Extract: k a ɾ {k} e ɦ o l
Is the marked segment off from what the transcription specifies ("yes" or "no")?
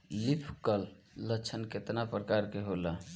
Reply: no